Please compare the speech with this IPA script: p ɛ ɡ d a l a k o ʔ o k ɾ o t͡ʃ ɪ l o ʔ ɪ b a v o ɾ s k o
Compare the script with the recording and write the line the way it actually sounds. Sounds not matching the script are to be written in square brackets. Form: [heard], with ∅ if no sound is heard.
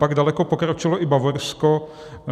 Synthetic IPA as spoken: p [a] ɡ d a l [ɛ] k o [p] o k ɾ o t͡ʃ ɪ l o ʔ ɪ b a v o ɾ s k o

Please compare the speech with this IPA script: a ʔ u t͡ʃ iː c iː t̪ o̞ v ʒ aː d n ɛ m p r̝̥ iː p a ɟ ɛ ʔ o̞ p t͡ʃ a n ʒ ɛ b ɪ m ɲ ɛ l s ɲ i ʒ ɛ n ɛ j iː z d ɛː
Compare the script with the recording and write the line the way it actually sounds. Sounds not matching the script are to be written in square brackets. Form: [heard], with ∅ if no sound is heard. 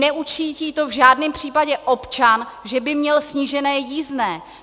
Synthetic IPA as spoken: [ɛ] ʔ u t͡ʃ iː c iː t̪ o̞ v ʒ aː d n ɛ m p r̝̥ iː p a ɟ ɛ ʔ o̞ p t͡ʃ a n ʒ ɛ b ɪ m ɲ ɛ l s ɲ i ʒ ɛ n [ɛː] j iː z [n] ɛː

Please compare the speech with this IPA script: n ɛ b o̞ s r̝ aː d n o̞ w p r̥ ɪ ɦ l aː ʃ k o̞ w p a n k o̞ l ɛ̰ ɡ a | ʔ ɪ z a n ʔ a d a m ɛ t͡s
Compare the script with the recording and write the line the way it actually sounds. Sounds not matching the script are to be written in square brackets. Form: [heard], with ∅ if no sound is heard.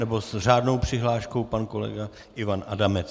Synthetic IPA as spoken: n ɛ b o̞ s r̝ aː d n o̞ w p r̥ ɪ ɦ l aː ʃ k o̞ w p a n k o̞ l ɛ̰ ɡ a | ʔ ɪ [v] a n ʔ a d a m ɛ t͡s

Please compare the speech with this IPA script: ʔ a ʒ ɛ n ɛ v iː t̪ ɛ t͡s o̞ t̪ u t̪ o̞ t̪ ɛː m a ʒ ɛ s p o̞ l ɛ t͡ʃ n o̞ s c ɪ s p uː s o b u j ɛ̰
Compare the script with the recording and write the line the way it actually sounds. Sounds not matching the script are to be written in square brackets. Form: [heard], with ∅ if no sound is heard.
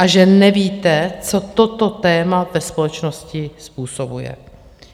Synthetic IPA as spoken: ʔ a ʒ ɛ n ɛ v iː t̪ ɛ t͡s o̞ t̪ [o] t̪ o̞ t̪ ɛː m a [v] ɛ s p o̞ l ɛ t͡ʃ n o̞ s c ɪ s p uː s o b u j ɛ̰

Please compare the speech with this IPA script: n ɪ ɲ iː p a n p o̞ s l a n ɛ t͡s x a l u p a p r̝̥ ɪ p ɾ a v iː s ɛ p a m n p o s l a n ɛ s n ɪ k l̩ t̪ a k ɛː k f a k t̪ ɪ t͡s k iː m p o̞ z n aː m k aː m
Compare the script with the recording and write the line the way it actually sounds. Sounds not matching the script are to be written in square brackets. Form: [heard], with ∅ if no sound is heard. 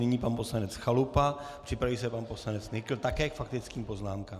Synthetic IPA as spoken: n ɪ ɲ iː p a n p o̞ s l a n ɛ t͡s x a l u p a p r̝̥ ɪ p ɾ a v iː s ɛ p a [∅] n p o s l a n ɛ [t͡s] n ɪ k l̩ t̪ a k ɛː k f a k t̪ ɪ t͡s k iː m p o̞ z n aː m k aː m

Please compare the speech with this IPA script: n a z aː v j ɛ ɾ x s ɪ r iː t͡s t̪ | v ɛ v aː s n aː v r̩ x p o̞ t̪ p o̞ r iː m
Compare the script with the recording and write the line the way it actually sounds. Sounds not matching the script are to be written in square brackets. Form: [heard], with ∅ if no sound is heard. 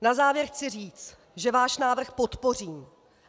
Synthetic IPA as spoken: n a z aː v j ɛ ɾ x [t͡s] ɪ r iː t͡s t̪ | [ʒ] ɛ v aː [ʃ] n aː v r̩ x p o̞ t̪ p o̞ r iː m

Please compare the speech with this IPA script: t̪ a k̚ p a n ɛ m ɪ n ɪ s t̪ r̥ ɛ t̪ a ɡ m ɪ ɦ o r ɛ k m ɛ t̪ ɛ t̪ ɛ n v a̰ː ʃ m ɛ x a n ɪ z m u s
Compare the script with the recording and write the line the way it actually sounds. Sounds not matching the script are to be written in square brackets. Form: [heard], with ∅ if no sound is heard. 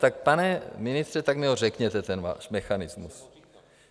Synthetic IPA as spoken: t̪ a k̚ p a n ɛ m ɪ n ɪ s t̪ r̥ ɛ t̪ a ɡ m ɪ ɦ o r ɛ k [ɲ] ɛ t̪ ɛ t̪ ɛ n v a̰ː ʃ m ɛ x a n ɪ z m u s

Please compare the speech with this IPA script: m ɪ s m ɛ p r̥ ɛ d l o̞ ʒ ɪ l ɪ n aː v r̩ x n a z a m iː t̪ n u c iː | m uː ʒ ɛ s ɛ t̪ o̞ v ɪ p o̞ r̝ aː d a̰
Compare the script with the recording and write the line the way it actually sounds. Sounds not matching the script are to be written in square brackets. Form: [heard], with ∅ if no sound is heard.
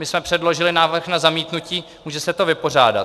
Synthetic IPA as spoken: m ɪ s m ɛ p r̥ ɛ d l o̞ ʒ ɪ l ɪ n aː v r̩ x n a z a m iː t̪ n u c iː | m uː ʒ ɛ s ɛ t̪ o̞ v ɪ p o̞ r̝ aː d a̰

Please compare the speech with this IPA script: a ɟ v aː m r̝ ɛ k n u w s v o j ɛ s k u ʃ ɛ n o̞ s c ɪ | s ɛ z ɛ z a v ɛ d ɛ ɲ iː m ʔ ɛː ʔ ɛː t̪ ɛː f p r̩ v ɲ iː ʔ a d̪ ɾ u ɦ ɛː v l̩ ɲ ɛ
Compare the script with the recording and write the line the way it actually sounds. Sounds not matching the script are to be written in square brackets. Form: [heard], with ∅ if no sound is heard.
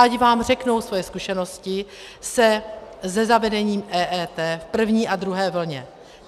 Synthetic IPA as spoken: a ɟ v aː m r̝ ɛ k n [o] w s v o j ɛ s k u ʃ ɛ n o̞ s c ɪ | s ɛ z ɛ z a v ɛ d ɛ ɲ iː m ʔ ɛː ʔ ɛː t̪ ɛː f p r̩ v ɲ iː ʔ a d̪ ɾ u ɦ ɛː v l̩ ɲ ɛ

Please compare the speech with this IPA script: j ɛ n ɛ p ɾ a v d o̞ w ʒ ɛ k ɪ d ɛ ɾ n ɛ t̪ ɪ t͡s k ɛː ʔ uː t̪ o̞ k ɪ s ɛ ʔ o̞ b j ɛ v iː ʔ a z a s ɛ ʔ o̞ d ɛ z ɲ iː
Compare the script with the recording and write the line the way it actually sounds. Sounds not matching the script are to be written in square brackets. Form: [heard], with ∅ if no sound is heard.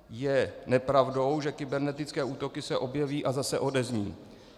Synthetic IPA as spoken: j ɛ n ɛ p ɾ a v d o̞ w ʒ ɛ k ɪ [b] ɛ ɾ n ɛ t̪ ɪ t͡s k ɛː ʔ uː t̪ o̞ k ɪ s ɛ ʔ o̞ b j ɛ v iː ʔ a z a s ɛ ʔ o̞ d ɛ z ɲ iː

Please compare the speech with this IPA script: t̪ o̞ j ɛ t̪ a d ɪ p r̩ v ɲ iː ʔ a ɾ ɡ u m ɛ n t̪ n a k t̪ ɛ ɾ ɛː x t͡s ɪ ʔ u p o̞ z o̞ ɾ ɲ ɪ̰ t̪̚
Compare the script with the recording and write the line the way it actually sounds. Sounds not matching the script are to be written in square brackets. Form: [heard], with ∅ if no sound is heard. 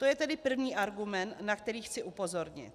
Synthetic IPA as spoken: t̪ o̞ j ɛ t̪ [ɛ] d ɪ p r̩ v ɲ iː ʔ a ɾ ɡ u m ɛ n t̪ n a k t̪ ɛ ɾ [iː] x t͡s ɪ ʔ u p o̞ z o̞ ɾ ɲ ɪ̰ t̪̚

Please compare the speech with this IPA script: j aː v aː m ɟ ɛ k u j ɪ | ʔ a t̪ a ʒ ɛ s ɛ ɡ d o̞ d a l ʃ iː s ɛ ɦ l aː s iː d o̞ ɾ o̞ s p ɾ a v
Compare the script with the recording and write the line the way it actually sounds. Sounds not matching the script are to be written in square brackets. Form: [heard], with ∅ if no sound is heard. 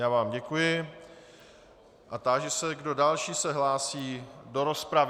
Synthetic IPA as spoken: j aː v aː m ɟ ɛ k u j ɪ | ʔ a t̪ a ʒ ɛ s ɛ ɡ d o̞ d a l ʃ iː s ɛ ɦ l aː s iː d o̞ ɾ o̞ s p ɾ a v

